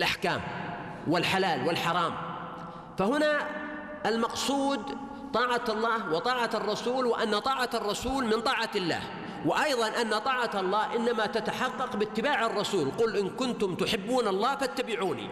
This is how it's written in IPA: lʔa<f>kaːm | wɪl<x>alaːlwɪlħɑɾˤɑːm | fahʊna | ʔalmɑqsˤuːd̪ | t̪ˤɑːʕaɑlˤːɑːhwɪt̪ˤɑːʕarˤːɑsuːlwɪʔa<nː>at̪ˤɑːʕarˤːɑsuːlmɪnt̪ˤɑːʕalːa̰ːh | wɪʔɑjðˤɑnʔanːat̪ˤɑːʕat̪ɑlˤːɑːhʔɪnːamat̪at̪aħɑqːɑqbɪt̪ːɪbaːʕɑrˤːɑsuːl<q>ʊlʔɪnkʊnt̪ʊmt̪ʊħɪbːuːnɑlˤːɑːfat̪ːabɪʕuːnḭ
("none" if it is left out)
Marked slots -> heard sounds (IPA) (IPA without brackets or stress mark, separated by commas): ħ, ħ, nː, q